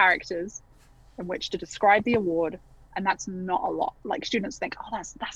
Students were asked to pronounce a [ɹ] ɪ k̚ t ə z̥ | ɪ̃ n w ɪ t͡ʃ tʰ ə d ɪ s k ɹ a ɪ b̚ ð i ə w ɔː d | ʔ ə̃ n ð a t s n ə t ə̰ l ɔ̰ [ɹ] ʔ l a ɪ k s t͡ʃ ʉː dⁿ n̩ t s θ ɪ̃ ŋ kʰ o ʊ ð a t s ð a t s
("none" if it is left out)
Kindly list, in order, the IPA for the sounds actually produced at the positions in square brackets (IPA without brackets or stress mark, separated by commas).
ɹ, none